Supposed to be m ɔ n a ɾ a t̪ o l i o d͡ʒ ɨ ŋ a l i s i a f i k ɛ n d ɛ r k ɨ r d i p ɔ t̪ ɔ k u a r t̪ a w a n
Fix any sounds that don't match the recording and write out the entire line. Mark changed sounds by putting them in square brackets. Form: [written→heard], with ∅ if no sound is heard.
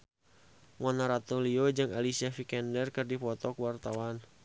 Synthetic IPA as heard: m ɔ n a ɾ a t̪ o l i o d͡ʒ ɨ ŋ a l i s i a f i k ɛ n d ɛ r k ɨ r d i p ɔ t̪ ɔ k [u→w] a r t̪ a w a n